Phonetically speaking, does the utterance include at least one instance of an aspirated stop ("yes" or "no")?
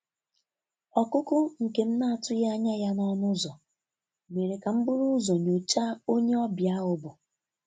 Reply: no